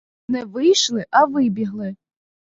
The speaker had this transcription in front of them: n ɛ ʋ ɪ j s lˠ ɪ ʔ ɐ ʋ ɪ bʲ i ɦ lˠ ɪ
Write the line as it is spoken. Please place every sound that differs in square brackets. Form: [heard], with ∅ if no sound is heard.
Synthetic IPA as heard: n ɛ ʋ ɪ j [ʃ] lˠ ɪ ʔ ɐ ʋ ɪ bʲ i ɦ lˠ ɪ